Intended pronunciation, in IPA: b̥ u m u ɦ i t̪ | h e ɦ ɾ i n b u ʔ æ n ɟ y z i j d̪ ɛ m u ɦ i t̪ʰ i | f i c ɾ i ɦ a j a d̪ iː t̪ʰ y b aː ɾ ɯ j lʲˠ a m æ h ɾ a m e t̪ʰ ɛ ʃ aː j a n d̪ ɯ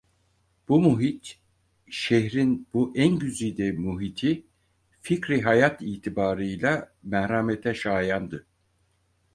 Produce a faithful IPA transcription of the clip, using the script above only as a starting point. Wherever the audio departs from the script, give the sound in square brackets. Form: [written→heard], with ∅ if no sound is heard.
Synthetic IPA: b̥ u m u ɦ i t̪ | [h→ʃ] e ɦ ɾ i n b u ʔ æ n ɟ y z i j d̪ ɛ m u ɦ i t̪ʰ i | f i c ɾ i ɦ a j a [d̪→t̪] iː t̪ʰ [y→i] b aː ɾ ɯ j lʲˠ a m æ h ɾ a m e t̪ʰ ɛ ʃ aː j a n d̪ ɯ